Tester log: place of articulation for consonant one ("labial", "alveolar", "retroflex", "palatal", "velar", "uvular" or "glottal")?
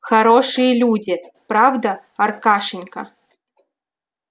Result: velar